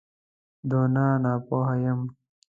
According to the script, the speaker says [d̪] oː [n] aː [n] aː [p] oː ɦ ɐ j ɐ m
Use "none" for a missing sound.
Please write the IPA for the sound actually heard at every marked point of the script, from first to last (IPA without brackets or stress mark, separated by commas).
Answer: d̪, n, n, p